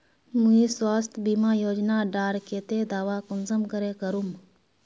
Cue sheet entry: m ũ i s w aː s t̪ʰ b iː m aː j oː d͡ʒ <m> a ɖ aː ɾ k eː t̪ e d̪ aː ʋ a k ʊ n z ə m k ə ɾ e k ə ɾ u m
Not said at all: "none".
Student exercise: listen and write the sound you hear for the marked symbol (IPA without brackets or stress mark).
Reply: n